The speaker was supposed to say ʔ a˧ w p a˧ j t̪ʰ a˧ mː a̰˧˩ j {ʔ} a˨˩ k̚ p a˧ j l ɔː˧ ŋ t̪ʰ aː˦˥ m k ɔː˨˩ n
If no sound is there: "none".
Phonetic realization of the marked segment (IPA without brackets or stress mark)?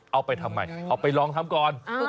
ʔ